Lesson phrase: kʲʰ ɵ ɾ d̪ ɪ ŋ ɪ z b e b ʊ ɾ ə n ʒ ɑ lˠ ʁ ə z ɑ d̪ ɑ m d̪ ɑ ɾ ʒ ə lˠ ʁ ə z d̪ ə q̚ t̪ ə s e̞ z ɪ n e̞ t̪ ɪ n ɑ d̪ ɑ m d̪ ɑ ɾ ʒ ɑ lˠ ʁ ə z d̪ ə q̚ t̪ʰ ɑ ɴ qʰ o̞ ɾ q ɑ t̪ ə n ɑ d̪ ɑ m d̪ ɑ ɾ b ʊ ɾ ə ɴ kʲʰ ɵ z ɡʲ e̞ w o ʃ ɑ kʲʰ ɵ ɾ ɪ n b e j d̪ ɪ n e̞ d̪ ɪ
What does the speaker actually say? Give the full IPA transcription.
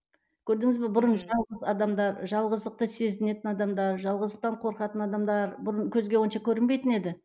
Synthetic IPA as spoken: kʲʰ ɵ ɾ d̪ ɪ ŋ ɪ z b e b ʊ ɾ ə n ʒ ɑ lˠ ʁ ə z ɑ d̪ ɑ m d̪ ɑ ɾ ʒ ɑ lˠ ʁ ə z d̪ ə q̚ t̪ ə s e̞ z ɪ n e̞ t̪ ɪ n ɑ d̪ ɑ m d̪ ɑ ɾ ʒ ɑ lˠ ʁ ə z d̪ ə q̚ t̪ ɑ ɴ qʰ o̞ ɾ q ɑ t̪ ə n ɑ d̪ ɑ m d̪ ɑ ɾ b ʊ ɾ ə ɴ kʲʰ ɵ z ɡʲ e̞ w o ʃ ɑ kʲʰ ɵ ɾ ɪ n b e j t̪ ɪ n e̞ d̪ ɪ